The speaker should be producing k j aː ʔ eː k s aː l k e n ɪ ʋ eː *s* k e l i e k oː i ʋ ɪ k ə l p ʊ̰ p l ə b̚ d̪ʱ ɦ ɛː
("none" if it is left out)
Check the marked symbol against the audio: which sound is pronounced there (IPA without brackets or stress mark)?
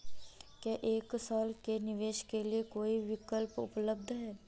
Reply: ʃ